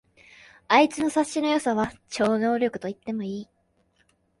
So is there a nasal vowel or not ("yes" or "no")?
no